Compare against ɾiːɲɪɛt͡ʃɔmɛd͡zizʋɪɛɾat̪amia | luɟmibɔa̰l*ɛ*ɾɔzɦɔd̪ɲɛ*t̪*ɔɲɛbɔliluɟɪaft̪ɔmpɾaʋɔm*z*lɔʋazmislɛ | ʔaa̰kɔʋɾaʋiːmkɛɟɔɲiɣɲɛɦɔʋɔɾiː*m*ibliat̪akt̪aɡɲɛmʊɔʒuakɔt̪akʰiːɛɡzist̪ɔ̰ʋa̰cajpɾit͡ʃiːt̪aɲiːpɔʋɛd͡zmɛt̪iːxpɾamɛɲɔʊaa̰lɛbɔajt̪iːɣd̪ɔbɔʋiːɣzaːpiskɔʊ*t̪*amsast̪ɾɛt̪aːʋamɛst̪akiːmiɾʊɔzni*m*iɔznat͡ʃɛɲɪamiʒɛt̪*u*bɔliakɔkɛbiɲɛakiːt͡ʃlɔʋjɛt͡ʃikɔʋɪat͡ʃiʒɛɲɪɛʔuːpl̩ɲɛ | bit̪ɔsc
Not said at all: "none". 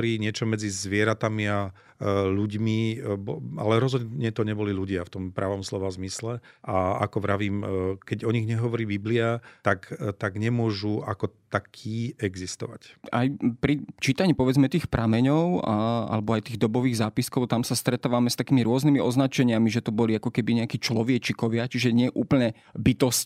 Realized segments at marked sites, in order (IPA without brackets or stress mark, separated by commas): ɛ, t̪, s, b, t̪, m, ɔ